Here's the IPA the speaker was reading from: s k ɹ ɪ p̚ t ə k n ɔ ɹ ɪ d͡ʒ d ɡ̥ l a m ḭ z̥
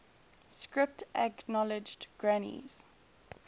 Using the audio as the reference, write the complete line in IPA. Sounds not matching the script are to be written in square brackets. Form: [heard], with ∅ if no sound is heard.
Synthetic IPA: s k ɹ ɪ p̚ t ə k n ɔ [l] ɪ d͡ʒ d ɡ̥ [ɹ] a [n] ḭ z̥

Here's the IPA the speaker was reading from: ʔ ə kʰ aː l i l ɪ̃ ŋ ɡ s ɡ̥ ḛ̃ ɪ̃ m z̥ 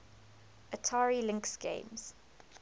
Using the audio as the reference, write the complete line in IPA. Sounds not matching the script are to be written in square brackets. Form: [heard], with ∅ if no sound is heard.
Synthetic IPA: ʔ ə [tʰ] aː [ɹ] i l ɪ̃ ŋ [k] s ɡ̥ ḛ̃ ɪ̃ m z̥

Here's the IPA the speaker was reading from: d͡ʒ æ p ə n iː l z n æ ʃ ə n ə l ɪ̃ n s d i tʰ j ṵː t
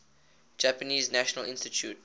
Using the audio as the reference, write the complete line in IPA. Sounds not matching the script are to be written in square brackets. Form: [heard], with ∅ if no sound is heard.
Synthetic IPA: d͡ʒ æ p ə n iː [∅] z n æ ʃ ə n ə l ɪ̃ n s [t] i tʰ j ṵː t

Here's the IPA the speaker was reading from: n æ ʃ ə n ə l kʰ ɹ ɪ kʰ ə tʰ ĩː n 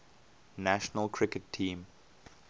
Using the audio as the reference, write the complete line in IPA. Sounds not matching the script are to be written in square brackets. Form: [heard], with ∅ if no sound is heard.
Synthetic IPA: n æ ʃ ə n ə l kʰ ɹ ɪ [k] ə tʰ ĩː [m]

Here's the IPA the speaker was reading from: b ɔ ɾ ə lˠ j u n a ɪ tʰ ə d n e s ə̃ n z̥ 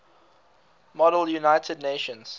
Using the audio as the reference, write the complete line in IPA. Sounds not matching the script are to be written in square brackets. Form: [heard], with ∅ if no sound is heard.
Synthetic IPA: [m] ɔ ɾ ə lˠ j u n a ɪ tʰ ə d n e [ʃ] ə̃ n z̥

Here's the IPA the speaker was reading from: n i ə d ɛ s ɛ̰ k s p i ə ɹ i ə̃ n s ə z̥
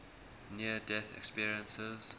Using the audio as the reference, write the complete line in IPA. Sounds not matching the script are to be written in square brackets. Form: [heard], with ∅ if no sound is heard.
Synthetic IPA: n i ə d ɛ [θ] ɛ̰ k s p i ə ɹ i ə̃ n s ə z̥

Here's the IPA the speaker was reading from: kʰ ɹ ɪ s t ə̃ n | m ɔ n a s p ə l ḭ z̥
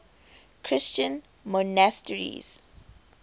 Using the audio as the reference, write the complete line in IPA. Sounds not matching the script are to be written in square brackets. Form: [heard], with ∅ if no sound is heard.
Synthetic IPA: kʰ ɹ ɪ s [t͡ʃ] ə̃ n | m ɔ n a s [t] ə [ɹ] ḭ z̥

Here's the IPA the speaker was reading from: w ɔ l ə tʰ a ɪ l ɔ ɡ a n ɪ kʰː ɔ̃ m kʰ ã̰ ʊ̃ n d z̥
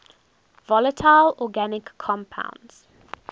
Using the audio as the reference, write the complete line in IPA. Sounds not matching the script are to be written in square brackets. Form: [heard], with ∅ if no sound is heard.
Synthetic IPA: [v] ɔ l ə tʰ a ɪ l ɔ ɡ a n ɪ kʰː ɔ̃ m [pʰ] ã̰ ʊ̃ n d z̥

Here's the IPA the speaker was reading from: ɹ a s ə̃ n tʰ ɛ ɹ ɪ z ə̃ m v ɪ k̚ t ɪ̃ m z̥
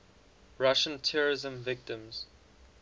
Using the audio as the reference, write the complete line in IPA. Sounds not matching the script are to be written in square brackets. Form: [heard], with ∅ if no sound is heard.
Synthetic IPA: ɹ a [ʃ] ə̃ n tʰ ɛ ɹ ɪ z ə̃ m v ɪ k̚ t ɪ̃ m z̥

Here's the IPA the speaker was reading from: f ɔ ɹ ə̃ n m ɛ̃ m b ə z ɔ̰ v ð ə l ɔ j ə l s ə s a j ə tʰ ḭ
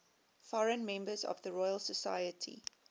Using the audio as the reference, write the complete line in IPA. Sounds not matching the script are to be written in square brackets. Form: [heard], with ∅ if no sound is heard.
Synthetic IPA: f ɔ ɹ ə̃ n m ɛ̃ m b ə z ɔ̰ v ð ə [ɹ] ɔ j ə l s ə s a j ə tʰ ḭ

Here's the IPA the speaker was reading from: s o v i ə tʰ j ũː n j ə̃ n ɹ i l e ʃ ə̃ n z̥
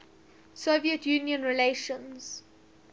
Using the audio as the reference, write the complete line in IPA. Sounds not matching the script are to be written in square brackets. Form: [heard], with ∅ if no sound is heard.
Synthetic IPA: s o v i ə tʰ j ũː n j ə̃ n ɹ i l e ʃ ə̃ n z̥

